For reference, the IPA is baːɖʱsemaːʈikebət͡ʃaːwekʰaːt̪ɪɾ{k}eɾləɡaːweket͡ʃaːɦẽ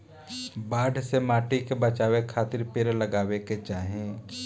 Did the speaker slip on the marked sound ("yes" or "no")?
yes